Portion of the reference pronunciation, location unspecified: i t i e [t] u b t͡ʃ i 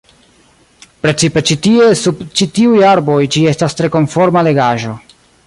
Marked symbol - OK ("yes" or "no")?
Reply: no